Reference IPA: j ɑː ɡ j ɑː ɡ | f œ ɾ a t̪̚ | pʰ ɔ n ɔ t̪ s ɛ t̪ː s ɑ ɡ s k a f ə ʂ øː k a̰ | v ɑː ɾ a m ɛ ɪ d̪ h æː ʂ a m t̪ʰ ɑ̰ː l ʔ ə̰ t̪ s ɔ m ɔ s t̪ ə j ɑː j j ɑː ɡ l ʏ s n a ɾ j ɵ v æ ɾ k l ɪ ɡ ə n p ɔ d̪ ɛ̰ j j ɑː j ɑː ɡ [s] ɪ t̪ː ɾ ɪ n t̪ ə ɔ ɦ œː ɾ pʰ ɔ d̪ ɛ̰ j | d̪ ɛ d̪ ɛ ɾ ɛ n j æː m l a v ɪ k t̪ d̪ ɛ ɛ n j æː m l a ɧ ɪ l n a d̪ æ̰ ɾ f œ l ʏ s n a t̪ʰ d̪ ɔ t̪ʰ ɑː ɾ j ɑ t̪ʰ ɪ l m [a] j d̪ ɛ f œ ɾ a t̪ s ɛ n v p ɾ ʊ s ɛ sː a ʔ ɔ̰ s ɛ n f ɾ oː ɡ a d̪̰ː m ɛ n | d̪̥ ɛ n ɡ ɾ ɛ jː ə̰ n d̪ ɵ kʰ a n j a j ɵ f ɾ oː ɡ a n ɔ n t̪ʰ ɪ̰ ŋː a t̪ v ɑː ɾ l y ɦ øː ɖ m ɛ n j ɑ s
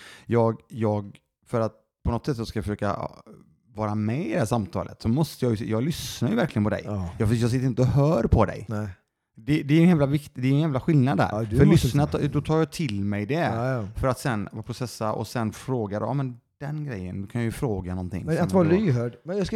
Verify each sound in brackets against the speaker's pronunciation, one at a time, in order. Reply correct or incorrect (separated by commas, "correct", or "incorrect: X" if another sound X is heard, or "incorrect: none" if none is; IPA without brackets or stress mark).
correct, incorrect: ɛ